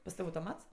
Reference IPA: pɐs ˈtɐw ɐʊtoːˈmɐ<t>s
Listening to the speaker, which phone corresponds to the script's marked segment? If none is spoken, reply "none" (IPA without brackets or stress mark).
t